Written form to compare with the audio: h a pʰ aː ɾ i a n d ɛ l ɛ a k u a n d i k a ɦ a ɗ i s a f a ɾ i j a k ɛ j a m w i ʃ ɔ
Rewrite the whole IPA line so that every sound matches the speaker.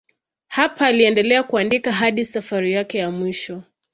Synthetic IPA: h a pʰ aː l i ɛ n d ɛ l ɛ a k u a n d i k a ɦ a ɗ i s a f a ɾ i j a k ɛ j a m w i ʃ ɔ